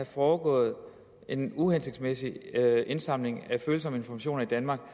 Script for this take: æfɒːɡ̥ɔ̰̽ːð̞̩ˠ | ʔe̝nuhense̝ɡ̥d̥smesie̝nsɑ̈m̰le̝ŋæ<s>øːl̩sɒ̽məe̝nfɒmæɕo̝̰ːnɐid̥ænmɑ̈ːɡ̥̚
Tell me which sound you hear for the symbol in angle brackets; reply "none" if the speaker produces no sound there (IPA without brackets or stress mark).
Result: f